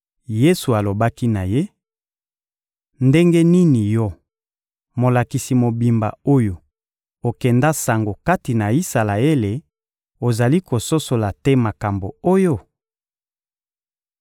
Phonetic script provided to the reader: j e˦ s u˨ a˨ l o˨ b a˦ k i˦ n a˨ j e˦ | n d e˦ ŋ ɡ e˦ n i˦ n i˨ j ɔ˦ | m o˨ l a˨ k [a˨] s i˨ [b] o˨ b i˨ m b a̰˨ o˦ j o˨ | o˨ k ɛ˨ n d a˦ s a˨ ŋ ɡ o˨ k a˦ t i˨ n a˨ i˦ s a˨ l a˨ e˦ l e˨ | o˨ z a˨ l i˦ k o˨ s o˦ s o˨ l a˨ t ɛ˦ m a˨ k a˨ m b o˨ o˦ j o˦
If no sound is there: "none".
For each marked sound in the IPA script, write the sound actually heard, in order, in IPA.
i˨, m

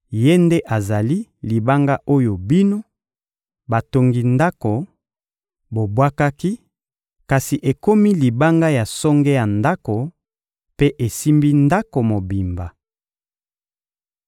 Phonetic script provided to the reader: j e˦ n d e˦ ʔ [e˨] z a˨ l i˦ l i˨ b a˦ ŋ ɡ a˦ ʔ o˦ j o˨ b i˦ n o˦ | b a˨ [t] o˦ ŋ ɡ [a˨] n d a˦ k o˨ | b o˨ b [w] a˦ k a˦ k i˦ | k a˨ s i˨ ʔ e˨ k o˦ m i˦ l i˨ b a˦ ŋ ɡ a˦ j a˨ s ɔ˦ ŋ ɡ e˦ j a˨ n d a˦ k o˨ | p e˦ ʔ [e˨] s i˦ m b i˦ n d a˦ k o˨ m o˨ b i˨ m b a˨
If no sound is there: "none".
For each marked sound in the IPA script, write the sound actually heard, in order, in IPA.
a˨, t, i˨, w, e˨

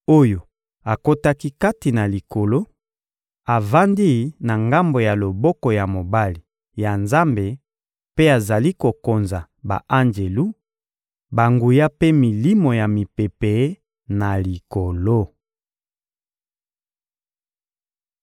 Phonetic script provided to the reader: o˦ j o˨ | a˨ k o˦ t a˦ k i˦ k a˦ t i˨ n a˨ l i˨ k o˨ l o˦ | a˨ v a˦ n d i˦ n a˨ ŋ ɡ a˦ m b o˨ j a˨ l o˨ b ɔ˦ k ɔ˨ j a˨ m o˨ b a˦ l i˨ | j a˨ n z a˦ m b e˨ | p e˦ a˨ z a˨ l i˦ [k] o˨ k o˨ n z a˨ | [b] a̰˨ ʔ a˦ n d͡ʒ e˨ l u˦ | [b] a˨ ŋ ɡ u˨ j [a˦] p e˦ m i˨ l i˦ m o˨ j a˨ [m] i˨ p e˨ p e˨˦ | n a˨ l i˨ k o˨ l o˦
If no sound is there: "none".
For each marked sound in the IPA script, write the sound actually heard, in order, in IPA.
k, b, b, a˦, m

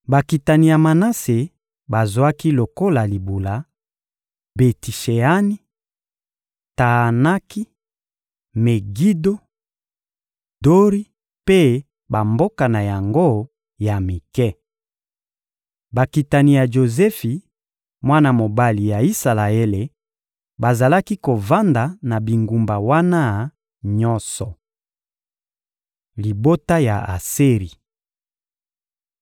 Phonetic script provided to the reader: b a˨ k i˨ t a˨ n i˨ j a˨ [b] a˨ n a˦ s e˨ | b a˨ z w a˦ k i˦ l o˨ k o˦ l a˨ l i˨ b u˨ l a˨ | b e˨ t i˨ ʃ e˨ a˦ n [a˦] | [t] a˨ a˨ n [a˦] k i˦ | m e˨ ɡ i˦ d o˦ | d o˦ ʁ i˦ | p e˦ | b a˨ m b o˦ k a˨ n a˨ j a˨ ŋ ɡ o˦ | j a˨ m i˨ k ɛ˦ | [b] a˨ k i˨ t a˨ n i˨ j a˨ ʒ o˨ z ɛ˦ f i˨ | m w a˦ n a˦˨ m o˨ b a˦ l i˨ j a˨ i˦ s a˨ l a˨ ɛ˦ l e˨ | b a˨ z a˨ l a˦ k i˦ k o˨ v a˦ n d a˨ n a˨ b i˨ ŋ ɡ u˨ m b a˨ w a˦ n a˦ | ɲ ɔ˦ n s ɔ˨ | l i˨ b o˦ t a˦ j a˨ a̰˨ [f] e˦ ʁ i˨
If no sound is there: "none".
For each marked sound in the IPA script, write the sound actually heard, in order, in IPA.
m, i˦, t, a˦, b, s

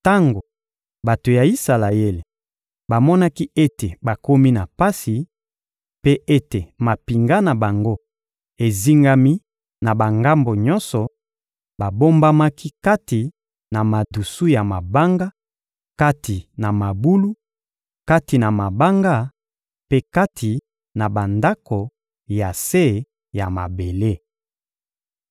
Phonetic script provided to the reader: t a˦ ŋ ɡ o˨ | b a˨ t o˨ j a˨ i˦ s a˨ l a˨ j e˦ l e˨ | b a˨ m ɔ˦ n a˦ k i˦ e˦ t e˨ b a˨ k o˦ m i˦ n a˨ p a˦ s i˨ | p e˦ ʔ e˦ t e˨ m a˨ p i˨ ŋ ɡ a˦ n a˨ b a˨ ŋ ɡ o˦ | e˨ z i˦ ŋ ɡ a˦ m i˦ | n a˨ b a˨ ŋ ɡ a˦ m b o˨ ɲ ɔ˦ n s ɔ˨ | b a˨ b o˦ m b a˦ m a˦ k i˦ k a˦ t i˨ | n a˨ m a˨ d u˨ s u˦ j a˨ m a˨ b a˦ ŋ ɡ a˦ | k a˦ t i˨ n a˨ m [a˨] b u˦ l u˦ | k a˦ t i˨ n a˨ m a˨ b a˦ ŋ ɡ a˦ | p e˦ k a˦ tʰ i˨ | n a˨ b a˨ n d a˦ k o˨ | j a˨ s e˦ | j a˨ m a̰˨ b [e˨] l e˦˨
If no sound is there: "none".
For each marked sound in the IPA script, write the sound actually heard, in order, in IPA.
a˨, e˨

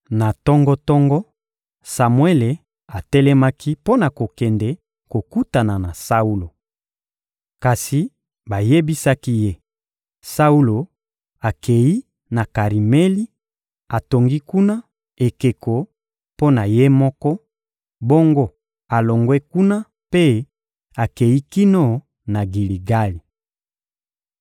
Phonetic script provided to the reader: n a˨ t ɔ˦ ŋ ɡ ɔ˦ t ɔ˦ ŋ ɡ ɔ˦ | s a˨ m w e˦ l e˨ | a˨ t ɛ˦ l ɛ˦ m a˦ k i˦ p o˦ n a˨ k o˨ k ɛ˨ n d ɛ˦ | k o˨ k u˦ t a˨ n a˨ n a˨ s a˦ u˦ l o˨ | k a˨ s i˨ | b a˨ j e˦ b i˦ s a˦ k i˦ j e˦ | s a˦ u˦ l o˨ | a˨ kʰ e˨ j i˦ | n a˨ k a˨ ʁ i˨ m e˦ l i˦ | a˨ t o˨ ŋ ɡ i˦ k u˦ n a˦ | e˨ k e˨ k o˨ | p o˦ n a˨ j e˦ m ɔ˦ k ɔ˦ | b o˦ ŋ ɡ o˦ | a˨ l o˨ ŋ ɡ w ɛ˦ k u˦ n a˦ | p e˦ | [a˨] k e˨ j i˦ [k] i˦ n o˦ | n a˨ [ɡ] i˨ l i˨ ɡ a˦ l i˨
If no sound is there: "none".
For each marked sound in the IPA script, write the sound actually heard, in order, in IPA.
a˨, k, ɡ

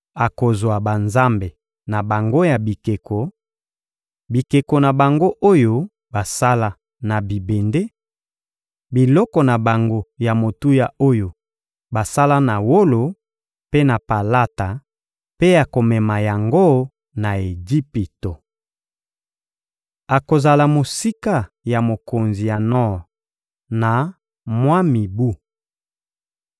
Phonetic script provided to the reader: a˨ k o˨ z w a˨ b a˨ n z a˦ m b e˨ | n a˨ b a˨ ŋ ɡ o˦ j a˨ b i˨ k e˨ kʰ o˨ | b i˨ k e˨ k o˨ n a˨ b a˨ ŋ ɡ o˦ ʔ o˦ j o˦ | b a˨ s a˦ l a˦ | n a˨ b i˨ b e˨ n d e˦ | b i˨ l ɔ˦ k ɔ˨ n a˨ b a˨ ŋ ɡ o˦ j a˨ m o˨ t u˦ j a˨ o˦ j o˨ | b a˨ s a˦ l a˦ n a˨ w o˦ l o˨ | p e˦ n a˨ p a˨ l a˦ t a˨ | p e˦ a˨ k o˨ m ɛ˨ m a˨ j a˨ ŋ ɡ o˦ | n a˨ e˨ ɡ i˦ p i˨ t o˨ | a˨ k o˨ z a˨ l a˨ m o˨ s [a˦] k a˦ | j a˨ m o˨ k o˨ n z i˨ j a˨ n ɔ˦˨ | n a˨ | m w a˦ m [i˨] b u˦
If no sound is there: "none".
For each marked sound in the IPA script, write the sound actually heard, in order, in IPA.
i˦, i˨

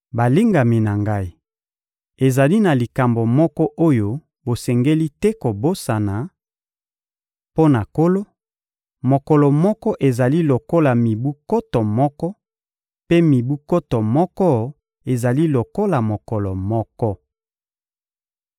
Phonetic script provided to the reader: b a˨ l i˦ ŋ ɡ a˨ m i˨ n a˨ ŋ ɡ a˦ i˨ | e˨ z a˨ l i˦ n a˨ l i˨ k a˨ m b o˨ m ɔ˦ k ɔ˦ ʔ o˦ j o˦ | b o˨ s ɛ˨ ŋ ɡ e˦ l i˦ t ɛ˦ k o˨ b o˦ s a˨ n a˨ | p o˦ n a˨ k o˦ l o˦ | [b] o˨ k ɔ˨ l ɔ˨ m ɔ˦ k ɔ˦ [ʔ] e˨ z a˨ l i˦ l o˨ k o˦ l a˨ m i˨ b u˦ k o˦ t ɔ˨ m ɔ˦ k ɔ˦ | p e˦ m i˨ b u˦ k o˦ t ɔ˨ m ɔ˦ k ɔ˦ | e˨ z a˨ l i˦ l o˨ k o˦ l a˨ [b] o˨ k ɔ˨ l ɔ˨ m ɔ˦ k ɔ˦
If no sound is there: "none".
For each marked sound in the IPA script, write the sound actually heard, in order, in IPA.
m, ʔ, m

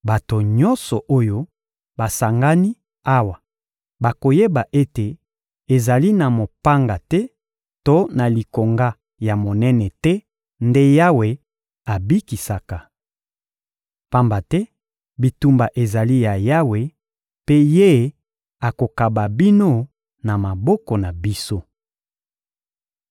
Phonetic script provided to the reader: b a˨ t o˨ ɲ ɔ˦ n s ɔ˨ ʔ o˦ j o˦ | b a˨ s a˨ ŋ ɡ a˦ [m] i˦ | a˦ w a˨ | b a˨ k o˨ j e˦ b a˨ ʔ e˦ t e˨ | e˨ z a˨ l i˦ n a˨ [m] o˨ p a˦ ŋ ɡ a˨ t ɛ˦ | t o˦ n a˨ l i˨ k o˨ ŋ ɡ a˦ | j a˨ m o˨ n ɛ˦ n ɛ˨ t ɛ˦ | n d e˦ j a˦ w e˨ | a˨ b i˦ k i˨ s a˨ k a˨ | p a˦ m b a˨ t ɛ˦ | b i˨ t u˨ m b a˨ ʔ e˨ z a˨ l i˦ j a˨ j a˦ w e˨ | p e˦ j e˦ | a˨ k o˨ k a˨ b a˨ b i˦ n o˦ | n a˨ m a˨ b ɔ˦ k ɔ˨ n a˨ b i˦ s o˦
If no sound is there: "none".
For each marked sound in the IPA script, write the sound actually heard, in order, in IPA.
n, m

